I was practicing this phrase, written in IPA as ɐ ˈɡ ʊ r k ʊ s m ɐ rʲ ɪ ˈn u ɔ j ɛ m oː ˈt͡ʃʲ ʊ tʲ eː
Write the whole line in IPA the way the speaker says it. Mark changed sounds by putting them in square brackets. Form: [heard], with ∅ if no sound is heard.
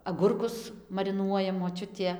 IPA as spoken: ɐ ˈɡ ʊ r k ʊ s m ɐ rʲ ɪ ˈn u ɔ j ɛ m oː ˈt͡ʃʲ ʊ tʲ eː